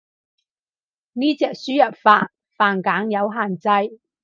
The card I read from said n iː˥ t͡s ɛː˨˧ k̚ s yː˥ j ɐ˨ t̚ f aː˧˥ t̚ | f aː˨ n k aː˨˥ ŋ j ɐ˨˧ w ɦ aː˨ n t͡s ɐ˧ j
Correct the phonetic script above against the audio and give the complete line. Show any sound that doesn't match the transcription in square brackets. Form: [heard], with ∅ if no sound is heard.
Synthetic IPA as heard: n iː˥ t͡s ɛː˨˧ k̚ s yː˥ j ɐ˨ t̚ f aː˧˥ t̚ | f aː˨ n k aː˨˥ ŋ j ɐ˨˧ w ɦ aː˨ n t͡s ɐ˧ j